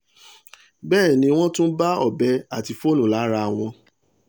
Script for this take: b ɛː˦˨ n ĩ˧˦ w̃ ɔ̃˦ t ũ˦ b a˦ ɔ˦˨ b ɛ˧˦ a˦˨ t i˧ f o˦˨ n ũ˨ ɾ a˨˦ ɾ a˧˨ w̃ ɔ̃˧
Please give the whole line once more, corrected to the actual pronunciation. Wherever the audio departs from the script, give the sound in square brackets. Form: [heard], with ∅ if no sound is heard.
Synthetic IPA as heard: b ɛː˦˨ n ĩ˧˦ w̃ ɔ̃˦ t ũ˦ b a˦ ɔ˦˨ b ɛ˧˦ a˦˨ t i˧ f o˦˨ n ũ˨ [l] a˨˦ ɾ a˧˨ w̃ ɔ̃˧